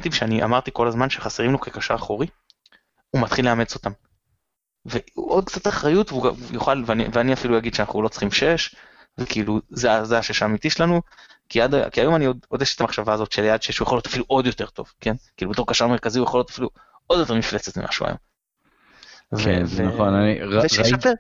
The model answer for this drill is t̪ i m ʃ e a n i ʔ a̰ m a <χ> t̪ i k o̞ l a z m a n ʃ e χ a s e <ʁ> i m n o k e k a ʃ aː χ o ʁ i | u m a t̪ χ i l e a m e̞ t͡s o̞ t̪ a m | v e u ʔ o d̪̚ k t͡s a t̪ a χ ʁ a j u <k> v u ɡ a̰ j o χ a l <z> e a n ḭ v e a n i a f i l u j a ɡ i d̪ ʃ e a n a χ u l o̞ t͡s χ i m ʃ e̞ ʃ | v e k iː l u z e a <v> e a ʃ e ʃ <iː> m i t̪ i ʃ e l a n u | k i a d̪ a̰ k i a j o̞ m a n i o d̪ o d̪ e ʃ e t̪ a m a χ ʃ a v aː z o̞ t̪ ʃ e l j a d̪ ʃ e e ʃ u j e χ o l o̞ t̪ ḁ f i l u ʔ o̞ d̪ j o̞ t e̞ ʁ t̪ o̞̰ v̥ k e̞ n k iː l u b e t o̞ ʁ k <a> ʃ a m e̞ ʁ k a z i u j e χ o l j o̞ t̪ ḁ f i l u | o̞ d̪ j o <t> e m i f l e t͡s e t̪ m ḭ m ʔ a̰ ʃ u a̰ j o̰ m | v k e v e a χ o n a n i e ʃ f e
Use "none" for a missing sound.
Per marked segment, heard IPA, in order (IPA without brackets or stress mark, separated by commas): ʁ, ʁ, t, v, z, aː, a, t